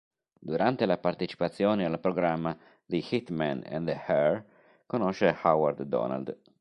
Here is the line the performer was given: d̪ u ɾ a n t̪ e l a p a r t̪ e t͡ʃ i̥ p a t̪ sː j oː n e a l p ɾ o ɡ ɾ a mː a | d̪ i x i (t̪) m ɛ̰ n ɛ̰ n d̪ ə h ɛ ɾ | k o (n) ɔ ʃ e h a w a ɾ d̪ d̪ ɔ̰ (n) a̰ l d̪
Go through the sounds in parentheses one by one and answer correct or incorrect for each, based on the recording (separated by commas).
correct, correct, correct